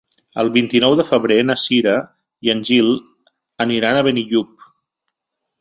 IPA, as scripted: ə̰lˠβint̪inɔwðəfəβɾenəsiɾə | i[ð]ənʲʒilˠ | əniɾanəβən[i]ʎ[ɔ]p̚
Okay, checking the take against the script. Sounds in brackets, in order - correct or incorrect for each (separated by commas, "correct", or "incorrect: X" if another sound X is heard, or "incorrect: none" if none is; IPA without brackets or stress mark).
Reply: incorrect: none, correct, incorrect: u